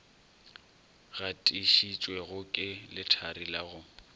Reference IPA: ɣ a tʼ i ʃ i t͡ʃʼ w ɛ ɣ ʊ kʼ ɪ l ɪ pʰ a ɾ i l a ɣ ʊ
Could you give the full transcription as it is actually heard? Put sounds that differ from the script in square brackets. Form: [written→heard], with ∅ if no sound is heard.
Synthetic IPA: ɣ a tʼ i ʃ i t͡ʃʼ w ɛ ɣ ʊ kʼ ɪ l ɪ [pʰ→tʰ] a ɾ i l a ɣ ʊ